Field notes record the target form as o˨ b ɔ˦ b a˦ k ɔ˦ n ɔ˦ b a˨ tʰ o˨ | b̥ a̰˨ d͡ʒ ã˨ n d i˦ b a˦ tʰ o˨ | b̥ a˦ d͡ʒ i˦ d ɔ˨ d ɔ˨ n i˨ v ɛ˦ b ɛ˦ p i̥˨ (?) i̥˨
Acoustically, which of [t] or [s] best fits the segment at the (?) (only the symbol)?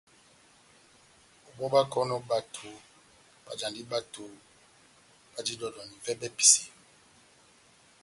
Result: s